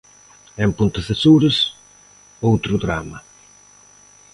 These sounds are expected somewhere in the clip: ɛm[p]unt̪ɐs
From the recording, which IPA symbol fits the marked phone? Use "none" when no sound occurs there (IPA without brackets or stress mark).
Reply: p